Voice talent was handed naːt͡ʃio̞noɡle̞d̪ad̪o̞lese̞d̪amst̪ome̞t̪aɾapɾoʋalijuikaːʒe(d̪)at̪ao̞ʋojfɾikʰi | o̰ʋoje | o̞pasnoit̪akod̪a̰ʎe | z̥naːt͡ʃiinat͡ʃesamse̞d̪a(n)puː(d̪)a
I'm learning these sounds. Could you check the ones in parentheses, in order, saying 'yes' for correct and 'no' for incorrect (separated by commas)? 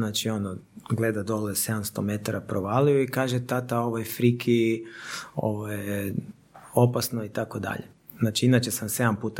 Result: no, no, no